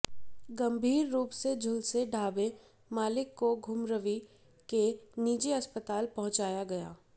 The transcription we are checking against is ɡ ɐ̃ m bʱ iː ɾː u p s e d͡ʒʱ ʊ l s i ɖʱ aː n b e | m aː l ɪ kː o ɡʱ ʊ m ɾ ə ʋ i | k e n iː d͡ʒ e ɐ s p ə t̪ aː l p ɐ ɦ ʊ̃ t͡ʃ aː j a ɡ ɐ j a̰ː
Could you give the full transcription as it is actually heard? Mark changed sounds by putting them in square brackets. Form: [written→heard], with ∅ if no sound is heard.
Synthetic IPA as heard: ɡ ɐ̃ m bʱ iː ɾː [u→uː] p s e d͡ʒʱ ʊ l s [i→e] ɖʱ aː [n→∅] b e | m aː l ɪ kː o ɡʱ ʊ m ɾ ə ʋ i | k e n iː d͡ʒ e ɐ s p ə t̪ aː l p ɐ ɦ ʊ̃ t͡ʃ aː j a ɡ ɐ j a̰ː